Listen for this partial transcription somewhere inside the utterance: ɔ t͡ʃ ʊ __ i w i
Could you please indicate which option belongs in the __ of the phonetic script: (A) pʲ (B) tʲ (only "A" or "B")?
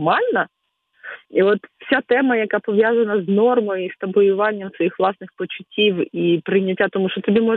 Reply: B